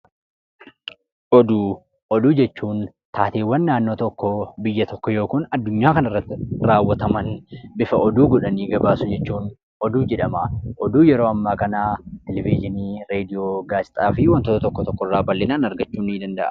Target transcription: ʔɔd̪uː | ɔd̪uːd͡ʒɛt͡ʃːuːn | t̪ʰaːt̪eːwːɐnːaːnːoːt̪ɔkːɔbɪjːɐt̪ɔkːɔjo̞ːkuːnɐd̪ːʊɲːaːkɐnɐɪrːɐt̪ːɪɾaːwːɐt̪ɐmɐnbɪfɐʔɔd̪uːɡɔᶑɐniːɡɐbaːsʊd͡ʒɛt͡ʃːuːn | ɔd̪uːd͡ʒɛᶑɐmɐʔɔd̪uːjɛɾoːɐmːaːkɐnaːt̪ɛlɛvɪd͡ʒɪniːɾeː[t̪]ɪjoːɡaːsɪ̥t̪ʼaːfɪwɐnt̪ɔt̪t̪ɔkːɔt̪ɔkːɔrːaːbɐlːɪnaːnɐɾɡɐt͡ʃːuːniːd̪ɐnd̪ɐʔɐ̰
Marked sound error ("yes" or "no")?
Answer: yes